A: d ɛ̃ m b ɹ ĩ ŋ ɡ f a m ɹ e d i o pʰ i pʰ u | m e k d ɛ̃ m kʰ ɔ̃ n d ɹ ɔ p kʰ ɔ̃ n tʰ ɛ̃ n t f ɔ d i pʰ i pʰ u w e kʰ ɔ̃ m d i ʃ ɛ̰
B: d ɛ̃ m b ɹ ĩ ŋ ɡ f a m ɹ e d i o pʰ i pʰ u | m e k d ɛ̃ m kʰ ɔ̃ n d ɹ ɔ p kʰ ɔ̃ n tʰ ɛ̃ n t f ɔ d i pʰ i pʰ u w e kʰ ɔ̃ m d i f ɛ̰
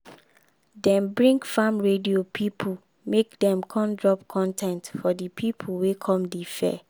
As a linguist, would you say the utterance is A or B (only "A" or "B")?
B